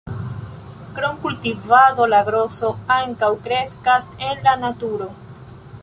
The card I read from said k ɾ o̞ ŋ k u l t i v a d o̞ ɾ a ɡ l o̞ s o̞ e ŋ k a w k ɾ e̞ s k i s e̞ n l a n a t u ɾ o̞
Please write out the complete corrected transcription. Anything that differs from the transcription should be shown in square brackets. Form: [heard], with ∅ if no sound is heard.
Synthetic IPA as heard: k ɾ o̞ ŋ k u l t i v a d o̞ [l] a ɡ [ɾ] o̞ s o̞ [a] ŋ k a w k ɾ e̞ s k [a] s e̞ n l a n a t u ɾ o̞